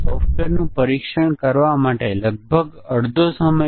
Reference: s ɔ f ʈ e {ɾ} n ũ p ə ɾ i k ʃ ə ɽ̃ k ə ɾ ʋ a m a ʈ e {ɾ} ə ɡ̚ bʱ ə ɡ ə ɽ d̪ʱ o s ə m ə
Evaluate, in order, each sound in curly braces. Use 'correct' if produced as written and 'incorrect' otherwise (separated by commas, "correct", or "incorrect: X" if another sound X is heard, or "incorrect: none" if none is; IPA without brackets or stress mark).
correct, incorrect: l